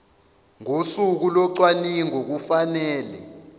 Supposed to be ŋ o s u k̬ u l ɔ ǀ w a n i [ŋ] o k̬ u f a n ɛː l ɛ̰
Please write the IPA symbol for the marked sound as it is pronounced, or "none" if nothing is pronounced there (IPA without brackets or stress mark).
ŋ